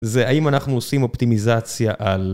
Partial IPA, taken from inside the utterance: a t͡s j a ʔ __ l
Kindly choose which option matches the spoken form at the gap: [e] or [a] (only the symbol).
a